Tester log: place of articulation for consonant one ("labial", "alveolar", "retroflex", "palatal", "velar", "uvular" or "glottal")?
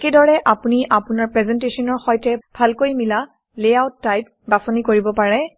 velar